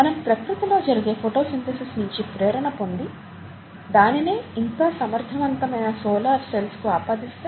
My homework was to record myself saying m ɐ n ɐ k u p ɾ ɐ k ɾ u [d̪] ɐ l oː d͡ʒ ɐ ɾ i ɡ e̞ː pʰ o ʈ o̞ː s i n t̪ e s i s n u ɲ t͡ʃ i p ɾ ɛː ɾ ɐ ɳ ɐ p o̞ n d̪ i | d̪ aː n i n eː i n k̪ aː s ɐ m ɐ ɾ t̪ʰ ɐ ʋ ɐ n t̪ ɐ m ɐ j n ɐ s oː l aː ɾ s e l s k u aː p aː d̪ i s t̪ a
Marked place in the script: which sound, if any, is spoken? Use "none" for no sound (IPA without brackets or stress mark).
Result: t̪